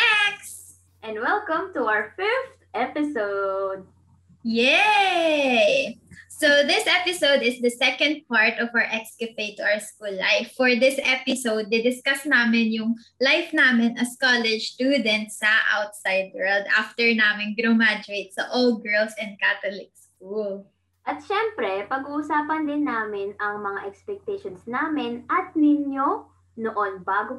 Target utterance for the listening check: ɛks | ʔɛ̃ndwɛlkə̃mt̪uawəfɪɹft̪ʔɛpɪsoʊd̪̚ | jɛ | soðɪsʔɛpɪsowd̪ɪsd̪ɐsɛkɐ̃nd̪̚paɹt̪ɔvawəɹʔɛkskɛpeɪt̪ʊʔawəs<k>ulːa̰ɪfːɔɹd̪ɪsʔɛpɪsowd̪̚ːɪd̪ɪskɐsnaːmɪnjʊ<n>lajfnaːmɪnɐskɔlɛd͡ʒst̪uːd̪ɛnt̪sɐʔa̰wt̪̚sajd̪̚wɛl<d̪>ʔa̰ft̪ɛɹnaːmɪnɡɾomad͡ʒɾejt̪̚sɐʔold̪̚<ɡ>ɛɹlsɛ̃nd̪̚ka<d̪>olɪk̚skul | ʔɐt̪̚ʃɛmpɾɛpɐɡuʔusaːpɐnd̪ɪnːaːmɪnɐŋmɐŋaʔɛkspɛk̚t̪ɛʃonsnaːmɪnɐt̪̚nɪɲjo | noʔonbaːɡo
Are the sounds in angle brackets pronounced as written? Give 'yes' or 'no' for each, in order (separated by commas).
yes, no, yes, yes, no